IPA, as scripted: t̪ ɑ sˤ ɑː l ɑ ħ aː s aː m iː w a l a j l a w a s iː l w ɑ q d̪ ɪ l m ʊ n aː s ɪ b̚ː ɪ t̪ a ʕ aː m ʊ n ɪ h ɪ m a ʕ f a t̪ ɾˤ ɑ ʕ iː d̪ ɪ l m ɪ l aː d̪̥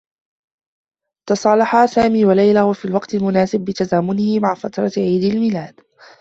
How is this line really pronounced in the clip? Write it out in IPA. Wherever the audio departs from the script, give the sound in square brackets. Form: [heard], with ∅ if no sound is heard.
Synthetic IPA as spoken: t̪ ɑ sˤ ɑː l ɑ ħ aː s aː m iː w a l a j l a w a [f] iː l w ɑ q [t̪] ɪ l m ʊ n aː s ɪ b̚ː ɪ t̪ a [z] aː m ʊ n ɪ h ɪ m a ʕ f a t̪ ɾˤ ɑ ʕ iː d̪ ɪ l m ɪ l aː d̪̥